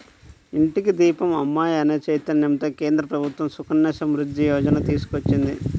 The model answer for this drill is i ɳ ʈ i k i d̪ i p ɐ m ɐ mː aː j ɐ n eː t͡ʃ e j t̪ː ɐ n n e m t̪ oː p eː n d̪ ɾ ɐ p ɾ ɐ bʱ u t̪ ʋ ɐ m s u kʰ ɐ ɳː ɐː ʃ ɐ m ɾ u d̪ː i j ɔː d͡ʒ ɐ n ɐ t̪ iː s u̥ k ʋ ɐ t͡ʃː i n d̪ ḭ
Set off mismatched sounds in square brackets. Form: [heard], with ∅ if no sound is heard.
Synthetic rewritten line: i ɳ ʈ i k i d̪ [iː] p ɐ m ɐ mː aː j ɐ n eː t͡ʃ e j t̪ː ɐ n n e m t̪ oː [k] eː n d̪ ɾ ɐ p ɾ ɐ bʱ u t̪ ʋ ɐ m s u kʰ ɐ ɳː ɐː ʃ ɐ m ɾ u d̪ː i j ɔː d͡ʒ ɐ n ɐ t̪ iː s u̥ k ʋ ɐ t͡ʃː i n d̪ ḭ